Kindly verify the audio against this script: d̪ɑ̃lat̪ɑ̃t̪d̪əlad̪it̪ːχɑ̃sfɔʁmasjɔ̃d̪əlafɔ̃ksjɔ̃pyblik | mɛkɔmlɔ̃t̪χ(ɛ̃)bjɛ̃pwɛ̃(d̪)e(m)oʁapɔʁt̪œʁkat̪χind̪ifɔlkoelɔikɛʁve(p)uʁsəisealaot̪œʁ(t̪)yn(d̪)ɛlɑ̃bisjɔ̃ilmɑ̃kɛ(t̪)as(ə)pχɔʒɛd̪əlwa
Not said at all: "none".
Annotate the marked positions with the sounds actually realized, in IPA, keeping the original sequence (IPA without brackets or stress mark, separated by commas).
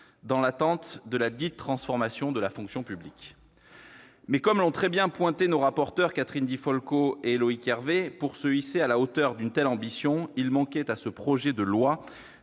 ɛ, t̪, n, p, d̪, t̪, t̪, ə